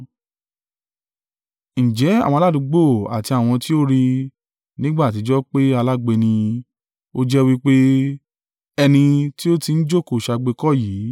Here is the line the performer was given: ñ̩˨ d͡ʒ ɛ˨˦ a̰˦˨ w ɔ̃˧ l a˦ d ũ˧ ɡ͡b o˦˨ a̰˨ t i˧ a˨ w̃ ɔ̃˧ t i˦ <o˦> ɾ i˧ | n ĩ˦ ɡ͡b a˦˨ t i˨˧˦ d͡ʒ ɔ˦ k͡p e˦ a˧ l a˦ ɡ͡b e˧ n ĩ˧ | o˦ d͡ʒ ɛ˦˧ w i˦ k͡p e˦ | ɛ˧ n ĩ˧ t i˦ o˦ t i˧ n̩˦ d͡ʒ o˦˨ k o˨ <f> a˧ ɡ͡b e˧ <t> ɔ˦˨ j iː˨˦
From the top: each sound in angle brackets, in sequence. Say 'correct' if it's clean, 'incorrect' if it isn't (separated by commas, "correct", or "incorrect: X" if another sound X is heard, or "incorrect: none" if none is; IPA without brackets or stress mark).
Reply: correct, incorrect: ʃ, incorrect: k